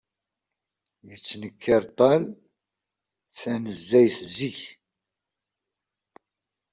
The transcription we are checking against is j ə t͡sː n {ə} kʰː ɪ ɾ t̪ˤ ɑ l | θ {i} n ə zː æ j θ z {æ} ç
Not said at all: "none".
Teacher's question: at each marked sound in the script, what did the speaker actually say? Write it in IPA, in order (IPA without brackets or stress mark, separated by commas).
ə, æ, i